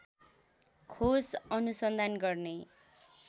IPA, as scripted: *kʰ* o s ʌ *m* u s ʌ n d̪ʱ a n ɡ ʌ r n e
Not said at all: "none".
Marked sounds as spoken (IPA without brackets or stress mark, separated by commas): kʰ, n